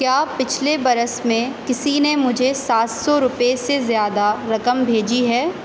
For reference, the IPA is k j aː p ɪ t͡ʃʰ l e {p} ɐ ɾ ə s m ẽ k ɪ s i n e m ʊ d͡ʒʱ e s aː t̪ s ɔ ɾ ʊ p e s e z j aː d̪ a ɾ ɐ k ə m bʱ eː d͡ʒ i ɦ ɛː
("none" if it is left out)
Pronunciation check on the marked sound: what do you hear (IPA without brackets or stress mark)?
b